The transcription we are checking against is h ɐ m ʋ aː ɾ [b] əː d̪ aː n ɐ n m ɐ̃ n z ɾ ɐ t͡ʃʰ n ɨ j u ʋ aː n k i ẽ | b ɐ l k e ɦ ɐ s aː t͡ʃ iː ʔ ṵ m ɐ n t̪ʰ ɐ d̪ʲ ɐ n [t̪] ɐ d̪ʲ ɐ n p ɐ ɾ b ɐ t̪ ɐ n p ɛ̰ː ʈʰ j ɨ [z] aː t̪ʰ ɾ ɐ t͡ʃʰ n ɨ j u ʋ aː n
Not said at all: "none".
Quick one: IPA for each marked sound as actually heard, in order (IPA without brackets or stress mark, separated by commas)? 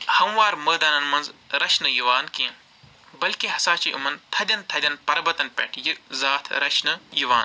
m, t̪ʰ, z